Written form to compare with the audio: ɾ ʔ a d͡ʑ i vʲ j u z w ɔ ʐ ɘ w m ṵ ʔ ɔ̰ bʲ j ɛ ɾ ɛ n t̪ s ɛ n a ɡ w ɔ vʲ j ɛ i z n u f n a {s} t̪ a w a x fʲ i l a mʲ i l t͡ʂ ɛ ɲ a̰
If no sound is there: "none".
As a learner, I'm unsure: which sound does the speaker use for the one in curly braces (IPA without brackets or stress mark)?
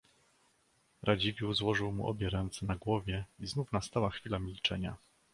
s